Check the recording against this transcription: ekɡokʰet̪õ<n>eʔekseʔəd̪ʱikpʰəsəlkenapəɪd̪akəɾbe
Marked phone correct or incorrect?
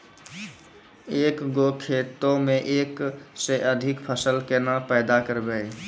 incorrect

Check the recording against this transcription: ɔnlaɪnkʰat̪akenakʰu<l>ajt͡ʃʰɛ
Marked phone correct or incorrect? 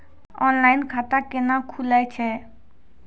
correct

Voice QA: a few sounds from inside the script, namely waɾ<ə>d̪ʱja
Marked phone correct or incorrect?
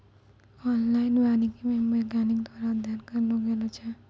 incorrect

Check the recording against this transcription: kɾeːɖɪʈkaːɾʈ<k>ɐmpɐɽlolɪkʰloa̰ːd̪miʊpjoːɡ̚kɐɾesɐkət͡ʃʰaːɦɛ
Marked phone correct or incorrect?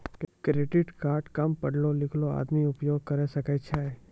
correct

